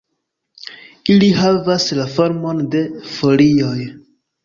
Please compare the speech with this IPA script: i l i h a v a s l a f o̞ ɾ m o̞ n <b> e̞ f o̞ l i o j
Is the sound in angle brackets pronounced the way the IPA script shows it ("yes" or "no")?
no